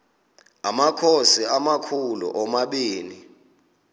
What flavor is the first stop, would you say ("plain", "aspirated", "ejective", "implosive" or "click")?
aspirated